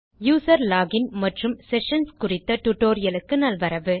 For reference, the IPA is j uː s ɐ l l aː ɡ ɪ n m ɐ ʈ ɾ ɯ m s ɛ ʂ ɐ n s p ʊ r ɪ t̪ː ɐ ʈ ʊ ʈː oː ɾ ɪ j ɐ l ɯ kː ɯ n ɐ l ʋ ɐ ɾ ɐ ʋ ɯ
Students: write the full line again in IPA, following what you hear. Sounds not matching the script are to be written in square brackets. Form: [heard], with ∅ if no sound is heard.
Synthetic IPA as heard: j uː s ɐ [ɾ] l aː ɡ ɪ n m ɐ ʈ [r] ɯ m s ɛ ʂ ɐ n s [k] ʊ r ɪ t̪ː ɐ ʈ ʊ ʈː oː ɾ ɪ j ɐ l ɯ kː ɯ n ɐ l ʋ ɐ ɾ ɐ ʋ ɯ